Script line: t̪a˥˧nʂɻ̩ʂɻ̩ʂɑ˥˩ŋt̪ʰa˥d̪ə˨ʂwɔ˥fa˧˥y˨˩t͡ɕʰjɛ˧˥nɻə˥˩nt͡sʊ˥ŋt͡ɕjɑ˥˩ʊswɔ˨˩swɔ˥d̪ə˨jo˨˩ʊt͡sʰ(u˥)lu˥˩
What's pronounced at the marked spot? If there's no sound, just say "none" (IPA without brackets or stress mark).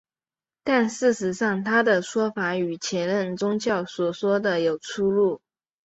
u˥